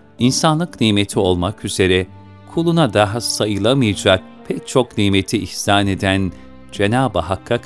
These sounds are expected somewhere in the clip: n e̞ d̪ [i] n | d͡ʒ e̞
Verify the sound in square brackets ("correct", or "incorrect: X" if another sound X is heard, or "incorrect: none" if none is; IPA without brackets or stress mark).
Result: incorrect: æ